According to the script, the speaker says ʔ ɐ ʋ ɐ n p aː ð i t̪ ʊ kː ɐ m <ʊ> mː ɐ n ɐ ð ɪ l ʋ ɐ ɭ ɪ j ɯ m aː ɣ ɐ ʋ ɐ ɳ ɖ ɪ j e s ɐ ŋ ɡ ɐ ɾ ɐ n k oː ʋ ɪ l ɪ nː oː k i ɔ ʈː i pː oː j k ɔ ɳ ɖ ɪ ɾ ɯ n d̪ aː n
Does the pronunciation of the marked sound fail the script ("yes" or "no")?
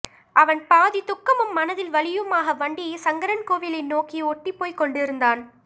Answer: yes